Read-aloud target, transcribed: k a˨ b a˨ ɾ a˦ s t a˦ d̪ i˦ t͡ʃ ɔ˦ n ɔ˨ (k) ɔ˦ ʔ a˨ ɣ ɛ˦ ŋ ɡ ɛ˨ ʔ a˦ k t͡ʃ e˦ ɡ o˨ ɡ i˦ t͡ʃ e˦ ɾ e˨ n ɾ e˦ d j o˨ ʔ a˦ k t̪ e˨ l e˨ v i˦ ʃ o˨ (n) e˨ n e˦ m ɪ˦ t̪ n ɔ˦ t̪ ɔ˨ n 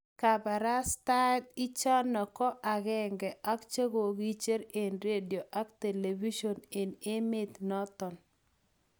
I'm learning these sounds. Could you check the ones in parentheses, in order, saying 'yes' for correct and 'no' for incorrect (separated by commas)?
yes, yes